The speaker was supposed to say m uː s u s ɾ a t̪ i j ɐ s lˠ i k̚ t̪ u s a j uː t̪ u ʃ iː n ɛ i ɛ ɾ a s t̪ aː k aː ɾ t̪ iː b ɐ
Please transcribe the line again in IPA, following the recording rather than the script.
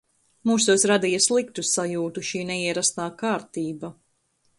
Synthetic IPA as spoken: m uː s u s ɾ a d̪ i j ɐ s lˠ i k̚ t̪ u s a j uː t̪ u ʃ iː n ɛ i ɛ ɾ a s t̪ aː k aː ɾ t̪ iː b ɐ